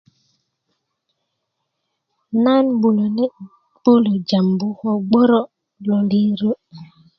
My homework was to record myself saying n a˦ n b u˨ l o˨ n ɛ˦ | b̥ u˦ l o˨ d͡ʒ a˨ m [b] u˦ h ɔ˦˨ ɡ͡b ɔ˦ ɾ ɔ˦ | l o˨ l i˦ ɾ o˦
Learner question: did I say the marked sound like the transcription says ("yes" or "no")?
yes